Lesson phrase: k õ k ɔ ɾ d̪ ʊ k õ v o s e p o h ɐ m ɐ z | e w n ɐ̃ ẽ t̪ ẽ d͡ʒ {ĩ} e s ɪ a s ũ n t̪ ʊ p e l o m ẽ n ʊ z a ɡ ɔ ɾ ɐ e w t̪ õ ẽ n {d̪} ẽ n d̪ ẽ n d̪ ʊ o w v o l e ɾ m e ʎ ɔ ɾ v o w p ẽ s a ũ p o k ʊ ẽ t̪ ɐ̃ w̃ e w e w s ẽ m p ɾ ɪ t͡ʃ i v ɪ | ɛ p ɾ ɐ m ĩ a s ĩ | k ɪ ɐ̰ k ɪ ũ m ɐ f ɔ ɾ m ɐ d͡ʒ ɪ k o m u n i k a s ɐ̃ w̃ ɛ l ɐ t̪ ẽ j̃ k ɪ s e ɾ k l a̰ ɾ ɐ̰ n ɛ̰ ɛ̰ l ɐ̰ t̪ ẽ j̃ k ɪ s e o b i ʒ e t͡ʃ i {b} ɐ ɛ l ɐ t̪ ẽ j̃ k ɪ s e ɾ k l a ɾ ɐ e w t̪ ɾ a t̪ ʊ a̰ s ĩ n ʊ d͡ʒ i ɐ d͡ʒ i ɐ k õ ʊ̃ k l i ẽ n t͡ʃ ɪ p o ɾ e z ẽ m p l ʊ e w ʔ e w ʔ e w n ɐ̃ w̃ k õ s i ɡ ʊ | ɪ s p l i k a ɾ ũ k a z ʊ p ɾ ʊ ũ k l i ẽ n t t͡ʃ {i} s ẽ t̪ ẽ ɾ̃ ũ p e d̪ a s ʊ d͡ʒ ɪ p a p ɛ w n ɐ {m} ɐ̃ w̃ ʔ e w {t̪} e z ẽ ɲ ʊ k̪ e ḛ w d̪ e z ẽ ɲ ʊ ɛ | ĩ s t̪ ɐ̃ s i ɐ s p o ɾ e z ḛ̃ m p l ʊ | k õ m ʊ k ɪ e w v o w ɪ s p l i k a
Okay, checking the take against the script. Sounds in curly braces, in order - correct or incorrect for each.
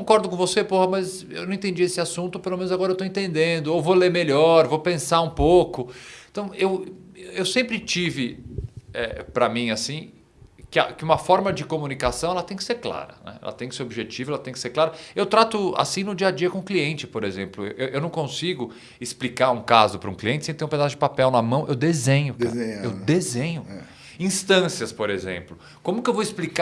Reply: incorrect: i, incorrect: t̪, incorrect: v, incorrect: ɪ, correct, incorrect: d̪

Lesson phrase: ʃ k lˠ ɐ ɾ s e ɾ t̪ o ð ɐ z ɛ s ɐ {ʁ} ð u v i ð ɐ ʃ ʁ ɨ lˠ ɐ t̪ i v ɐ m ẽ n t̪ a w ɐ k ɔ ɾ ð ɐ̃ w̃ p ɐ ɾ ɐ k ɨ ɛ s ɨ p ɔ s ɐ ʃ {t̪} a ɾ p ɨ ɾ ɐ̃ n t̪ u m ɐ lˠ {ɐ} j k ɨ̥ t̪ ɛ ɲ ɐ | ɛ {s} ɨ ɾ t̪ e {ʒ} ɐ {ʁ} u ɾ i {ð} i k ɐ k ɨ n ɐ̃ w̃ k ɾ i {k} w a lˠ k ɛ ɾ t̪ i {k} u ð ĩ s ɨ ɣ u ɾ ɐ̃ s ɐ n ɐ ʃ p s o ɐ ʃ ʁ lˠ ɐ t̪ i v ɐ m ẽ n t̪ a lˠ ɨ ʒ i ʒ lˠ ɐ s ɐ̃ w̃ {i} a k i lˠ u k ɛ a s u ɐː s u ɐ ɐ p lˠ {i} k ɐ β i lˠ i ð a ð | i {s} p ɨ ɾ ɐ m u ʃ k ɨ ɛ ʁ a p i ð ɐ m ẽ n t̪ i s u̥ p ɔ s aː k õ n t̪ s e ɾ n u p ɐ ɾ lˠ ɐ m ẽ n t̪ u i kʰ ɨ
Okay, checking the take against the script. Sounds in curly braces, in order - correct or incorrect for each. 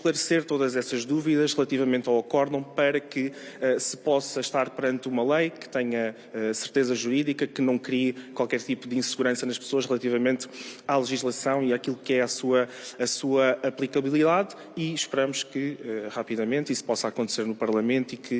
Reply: incorrect: ʒ, correct, correct, correct, incorrect: z, incorrect: ʒ, correct, correct, incorrect: p, correct, correct, incorrect: ʃ

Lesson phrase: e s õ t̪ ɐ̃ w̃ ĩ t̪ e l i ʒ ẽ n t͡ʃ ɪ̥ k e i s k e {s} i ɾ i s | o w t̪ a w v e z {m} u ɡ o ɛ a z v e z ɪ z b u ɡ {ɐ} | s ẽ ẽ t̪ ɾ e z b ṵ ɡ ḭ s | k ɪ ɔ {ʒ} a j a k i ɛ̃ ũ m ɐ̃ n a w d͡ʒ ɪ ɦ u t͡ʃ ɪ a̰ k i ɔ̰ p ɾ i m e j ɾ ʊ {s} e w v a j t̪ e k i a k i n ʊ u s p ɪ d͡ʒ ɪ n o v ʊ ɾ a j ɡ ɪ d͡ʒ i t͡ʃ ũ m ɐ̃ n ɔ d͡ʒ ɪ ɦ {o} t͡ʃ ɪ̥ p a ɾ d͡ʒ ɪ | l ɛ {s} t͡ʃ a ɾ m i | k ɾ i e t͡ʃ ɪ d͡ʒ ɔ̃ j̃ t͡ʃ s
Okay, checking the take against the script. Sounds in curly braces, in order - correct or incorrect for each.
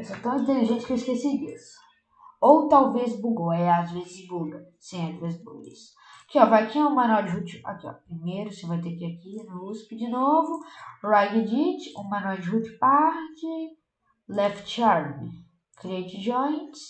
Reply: correct, incorrect: b, correct, incorrect: v, correct, incorrect: u, incorrect: f

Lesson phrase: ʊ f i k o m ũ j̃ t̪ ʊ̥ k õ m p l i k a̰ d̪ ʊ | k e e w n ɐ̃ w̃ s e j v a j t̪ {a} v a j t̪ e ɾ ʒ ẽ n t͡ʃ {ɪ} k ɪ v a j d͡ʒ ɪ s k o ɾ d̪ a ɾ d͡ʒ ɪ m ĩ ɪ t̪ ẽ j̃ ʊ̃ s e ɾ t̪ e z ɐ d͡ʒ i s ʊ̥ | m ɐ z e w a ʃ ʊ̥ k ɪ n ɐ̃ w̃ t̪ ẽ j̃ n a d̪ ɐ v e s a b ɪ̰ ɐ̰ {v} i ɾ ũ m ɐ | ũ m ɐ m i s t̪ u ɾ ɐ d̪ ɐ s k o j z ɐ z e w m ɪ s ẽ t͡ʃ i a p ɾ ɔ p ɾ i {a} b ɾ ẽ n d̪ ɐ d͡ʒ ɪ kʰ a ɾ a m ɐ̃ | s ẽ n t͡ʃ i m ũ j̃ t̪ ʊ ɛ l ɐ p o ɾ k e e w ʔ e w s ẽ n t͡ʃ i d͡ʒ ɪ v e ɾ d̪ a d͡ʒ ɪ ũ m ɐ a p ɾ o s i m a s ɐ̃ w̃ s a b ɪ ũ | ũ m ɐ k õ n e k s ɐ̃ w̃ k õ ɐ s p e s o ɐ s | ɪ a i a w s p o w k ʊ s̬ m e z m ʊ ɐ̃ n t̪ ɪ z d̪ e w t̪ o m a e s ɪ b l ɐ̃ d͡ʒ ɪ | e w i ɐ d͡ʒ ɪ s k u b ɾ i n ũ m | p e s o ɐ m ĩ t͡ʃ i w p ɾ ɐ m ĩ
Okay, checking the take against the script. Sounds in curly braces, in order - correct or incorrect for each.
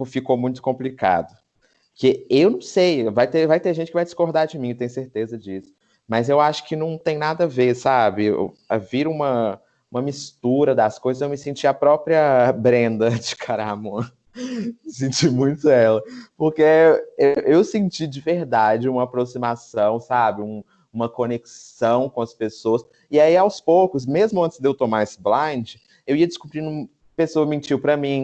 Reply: incorrect: e, correct, correct, incorrect: ɐ

